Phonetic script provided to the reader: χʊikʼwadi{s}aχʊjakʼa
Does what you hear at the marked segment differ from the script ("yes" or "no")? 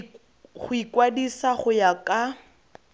no